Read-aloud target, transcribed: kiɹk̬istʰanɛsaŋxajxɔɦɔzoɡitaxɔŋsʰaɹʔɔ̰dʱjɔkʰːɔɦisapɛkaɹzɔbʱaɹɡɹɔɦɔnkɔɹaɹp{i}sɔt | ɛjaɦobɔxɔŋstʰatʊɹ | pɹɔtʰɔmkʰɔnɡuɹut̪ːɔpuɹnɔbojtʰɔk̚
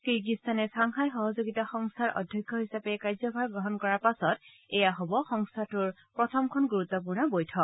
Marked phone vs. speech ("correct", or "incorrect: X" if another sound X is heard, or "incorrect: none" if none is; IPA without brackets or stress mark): incorrect: a